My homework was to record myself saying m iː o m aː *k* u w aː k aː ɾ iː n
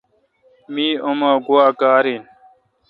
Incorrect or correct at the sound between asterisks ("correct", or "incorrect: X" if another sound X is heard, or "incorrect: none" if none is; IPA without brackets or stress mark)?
incorrect: ɡ